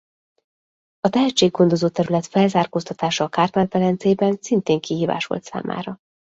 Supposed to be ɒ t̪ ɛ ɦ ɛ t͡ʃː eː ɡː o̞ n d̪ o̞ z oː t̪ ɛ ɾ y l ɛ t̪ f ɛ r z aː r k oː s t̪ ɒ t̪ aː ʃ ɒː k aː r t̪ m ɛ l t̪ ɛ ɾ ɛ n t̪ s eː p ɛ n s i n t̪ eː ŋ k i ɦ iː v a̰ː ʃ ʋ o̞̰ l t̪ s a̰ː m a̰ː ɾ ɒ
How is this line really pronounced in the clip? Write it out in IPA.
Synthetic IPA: ɒ t̪ ɛ ɦ ɛ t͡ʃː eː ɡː o̞ n d̪ o̞ z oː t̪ ɛ ɾ y l ɛ t̪ f ɛ l z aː r k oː s t̪ ɒ t̪ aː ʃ ɒː k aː r t̪ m ɛ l t̪ ɛ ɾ ɛ n t̪ s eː b ɛ n s i n t̪ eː ŋ k i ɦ iː v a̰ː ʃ ʋ o̞̰ l t̪ s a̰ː m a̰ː ɾ ɒ